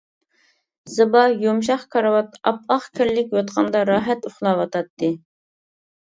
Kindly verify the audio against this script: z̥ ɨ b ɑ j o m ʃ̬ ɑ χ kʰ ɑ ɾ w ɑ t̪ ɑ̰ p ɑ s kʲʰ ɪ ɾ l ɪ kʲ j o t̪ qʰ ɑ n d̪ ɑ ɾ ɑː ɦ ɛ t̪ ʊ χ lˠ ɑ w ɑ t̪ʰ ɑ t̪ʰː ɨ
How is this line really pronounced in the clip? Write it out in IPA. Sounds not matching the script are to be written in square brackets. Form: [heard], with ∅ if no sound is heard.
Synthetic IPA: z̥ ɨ b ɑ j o m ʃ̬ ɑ χ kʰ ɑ ɾ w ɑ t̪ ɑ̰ p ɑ [χ] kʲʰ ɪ ɾ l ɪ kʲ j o t̪ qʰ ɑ n d̪ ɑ ɾ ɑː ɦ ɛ t̪ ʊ χ lˠ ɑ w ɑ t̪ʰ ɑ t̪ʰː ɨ

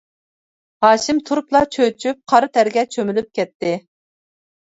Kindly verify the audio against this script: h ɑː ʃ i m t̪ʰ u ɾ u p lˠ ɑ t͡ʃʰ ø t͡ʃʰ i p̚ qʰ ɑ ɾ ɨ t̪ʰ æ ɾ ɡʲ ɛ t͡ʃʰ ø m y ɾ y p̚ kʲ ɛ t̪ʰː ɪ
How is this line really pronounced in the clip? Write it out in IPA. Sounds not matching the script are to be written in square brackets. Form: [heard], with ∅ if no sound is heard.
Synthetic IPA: h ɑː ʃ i m t̪ʰ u ɾ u p lˠ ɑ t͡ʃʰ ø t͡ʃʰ [y] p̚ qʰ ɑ ɾ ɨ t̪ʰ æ ɾ ɡʲ ɛ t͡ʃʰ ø m y [l] y p̚ kʲ ɛ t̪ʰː ɪ

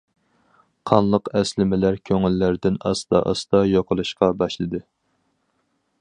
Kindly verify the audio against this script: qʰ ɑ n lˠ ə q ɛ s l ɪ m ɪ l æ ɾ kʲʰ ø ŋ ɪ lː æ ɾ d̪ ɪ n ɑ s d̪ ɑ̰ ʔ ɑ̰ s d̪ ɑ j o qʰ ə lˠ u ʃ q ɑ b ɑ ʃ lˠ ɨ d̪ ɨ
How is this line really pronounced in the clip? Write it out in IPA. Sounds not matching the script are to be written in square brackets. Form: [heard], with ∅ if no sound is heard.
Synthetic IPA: qʰ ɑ n lˠ ə q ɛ s l ɪ m ɪ l æ ɾ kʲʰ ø ŋ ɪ lː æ ɾ d̪ ɪ n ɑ s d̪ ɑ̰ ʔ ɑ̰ s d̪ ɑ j o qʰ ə lˠ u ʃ q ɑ b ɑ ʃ lˠ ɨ d̪ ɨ

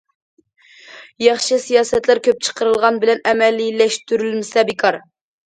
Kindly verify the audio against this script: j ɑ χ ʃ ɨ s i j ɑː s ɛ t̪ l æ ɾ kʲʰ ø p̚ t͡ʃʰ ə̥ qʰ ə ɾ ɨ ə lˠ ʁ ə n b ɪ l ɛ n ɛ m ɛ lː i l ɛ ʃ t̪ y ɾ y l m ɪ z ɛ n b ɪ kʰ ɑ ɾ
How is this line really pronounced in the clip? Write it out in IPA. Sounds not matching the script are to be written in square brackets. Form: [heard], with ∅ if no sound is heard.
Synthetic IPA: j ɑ χ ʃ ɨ s i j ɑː s ɛ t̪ l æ ɾ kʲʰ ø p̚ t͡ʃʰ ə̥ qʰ ə ɾ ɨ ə lˠ ʁ [ɑ] n b ɪ l ɛ n ɛ m ɛ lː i l ɛ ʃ t̪ y ɾ y l m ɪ [s] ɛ [∅] b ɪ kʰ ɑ ɾ

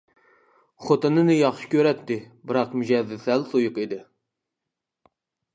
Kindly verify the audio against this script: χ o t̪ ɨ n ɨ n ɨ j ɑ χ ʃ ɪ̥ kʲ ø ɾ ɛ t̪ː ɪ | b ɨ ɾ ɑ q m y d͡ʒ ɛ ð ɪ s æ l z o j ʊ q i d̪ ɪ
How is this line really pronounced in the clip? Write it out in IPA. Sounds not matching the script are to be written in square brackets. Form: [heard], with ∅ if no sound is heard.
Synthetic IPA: χ o t̪ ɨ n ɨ n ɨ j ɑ χ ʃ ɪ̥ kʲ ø ɾ ɛ t̪ː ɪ | b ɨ ɾ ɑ q m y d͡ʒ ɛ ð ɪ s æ l [s] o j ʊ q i d̪ ɪ

